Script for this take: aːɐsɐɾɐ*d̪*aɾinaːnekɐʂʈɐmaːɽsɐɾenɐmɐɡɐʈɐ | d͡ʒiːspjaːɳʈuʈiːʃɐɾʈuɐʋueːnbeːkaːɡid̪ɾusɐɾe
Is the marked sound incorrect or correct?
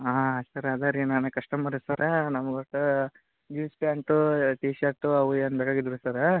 correct